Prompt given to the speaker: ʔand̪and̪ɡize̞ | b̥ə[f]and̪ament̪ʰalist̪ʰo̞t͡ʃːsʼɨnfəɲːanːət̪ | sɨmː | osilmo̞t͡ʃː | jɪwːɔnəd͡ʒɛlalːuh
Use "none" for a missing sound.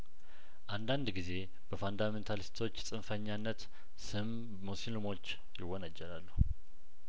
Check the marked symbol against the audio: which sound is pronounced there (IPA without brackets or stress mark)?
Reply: f